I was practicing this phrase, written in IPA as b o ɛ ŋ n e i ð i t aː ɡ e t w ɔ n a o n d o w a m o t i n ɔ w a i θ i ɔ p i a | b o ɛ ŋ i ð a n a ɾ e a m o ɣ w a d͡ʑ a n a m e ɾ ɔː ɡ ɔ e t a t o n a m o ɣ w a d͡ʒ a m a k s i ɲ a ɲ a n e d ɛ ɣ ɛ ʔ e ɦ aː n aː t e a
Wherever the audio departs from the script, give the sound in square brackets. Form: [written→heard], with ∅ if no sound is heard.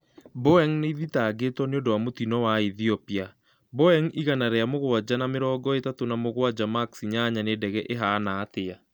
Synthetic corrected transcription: b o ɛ ŋ n e i ð i t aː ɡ e t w ɔ n [a→e] o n d o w a m o t i n ɔ w a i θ i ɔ p i a | b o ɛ ŋ i [ð→ɣ] a n a ɾ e a m o ɣ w a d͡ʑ a n a m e ɾ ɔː ɡ ɔ e t a t o n a m o ɣ w a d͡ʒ a m a k s i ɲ a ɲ a n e d ɛ ɣ ɛ ʔ e ɦ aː n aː t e a